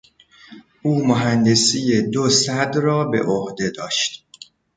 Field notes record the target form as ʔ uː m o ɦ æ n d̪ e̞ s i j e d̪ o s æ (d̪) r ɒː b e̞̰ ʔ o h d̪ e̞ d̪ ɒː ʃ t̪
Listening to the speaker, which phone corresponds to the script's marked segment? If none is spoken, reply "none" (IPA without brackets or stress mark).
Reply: d̪